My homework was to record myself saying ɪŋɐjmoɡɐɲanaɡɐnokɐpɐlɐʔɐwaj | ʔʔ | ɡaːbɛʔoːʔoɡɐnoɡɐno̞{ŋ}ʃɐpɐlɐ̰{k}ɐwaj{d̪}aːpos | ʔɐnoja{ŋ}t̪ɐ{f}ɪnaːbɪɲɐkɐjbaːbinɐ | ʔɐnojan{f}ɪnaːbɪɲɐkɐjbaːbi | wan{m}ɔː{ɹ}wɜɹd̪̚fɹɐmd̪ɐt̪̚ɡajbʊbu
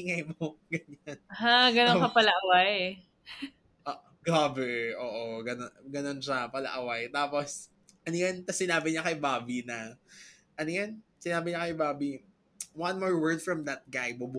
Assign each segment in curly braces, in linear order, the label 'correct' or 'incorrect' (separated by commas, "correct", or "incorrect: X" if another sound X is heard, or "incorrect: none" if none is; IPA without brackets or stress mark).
incorrect: n, incorrect: ʔ, incorrect: t̪, incorrect: n, incorrect: s, incorrect: s, correct, correct